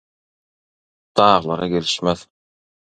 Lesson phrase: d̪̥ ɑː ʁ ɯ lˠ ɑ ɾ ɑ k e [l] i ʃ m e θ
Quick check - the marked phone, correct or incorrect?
correct